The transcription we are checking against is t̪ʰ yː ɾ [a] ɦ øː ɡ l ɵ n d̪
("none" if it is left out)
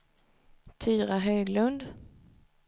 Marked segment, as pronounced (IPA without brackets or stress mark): a